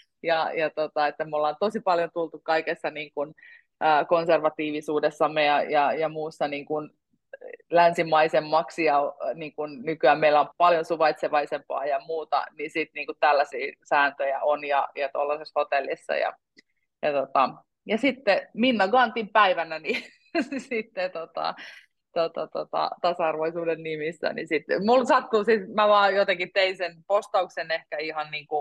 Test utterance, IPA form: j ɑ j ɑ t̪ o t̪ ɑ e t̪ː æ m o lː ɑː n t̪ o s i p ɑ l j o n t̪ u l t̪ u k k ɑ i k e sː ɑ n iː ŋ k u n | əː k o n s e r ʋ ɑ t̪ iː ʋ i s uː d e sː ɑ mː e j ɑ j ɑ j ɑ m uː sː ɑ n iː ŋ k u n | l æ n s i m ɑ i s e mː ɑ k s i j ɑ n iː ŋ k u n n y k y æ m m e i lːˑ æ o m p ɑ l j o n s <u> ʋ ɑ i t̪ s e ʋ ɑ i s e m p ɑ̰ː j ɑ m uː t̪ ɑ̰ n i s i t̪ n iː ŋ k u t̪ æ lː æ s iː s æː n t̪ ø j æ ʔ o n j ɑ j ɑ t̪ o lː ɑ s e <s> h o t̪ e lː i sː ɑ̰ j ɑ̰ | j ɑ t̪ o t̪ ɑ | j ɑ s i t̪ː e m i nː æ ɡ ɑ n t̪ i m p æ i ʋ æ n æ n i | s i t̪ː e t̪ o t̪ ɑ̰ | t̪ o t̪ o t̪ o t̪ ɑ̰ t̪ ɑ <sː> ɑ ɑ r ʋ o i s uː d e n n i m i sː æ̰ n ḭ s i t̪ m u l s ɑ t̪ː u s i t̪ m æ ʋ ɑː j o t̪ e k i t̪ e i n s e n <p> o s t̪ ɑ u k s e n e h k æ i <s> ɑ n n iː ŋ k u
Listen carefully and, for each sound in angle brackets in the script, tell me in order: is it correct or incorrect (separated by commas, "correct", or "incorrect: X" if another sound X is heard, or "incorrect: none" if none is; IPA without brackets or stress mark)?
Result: correct, correct, incorrect: s, correct, incorrect: h